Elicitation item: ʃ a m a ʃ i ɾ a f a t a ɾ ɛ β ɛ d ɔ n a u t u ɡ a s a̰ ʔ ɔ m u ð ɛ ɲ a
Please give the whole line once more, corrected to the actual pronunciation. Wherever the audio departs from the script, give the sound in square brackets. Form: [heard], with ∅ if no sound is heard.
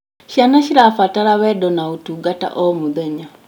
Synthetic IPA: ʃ a [n] a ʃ i ɾ a f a t a ɾ [a] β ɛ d ɔ n a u t u ɡ a [t] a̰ ʔ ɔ m u ð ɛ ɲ a